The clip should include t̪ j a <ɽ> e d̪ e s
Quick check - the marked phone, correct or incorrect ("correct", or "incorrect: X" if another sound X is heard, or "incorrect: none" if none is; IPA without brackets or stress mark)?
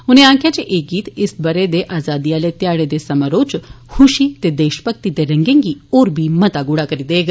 correct